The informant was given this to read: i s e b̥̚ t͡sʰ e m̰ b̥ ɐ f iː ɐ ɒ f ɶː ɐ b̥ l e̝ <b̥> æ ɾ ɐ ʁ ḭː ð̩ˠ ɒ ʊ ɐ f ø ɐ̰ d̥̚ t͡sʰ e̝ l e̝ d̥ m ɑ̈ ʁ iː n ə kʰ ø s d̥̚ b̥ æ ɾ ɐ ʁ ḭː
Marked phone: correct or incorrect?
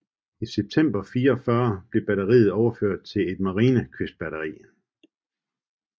correct